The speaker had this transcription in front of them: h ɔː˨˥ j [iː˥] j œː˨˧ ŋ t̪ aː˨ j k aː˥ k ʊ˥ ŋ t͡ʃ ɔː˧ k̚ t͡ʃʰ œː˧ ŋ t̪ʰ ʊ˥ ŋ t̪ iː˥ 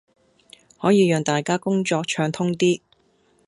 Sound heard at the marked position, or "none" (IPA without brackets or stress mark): iː˨˧